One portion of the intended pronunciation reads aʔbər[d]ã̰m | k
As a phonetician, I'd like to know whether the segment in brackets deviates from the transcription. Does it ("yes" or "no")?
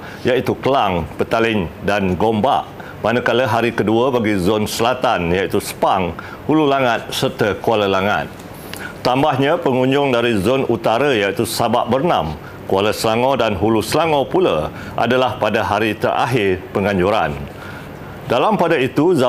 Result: yes